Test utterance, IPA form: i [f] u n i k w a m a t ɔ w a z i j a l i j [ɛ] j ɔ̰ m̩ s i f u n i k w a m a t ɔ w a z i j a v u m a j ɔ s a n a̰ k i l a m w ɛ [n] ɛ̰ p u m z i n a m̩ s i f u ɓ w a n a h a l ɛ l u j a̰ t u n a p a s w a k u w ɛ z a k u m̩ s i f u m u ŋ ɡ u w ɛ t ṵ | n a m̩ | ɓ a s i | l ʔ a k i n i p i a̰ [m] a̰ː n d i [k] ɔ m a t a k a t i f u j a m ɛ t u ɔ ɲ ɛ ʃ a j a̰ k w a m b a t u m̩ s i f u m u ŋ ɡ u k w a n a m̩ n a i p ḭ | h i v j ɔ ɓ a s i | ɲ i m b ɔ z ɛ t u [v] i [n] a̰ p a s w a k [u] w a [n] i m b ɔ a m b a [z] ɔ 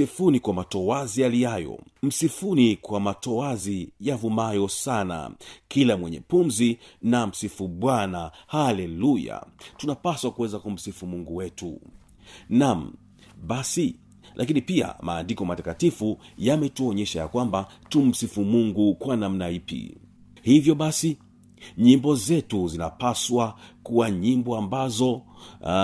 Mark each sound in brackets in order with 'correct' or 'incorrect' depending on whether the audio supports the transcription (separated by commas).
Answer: correct, incorrect, incorrect, correct, correct, incorrect, correct, correct, incorrect, correct